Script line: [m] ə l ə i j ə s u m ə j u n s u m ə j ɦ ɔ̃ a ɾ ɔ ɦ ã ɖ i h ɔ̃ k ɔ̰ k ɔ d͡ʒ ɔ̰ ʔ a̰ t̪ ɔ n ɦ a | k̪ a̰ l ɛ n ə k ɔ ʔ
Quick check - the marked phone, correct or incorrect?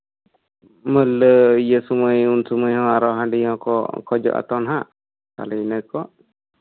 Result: correct